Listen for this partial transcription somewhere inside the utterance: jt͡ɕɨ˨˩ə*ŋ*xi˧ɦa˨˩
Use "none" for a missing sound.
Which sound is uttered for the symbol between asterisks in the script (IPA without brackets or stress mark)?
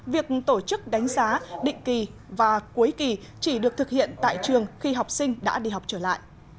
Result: ŋ